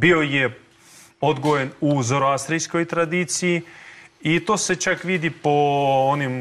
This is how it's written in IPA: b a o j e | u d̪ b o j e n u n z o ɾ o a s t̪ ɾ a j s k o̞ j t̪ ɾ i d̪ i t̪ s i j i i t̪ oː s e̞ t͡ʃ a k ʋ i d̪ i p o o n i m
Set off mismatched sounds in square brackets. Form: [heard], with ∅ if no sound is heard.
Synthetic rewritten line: b [i] o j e | [o] d̪ [ɡ] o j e n u [∅] z o ɾ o a s t̪ ɾ [i] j s k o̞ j t̪ ɾ [a] d̪ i t̪ s i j i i t̪ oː s e̞ t͡ʃ a k ʋ i d̪ i p o o n i m